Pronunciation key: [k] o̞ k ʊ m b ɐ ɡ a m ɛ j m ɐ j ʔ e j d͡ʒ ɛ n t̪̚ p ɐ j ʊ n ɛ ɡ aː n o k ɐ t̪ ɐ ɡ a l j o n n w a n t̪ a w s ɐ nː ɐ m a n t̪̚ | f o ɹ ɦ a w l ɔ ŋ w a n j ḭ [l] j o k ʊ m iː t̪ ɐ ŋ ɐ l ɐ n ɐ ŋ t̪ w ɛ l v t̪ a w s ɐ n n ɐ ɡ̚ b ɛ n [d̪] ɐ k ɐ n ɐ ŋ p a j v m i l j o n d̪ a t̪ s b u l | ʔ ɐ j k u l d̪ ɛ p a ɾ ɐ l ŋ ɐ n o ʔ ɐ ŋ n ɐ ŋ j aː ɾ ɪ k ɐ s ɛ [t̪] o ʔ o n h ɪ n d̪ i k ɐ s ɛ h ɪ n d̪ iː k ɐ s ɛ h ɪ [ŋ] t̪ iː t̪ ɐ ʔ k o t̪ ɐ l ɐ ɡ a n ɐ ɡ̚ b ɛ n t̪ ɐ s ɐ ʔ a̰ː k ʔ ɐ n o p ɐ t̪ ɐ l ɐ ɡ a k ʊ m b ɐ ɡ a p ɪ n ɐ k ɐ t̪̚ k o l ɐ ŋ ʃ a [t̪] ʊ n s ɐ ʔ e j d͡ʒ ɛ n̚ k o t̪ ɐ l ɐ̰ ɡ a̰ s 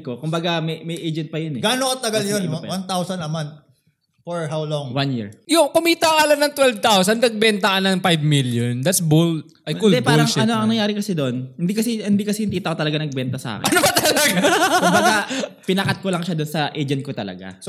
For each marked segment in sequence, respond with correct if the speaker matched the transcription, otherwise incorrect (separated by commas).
correct, incorrect, incorrect, incorrect, incorrect, incorrect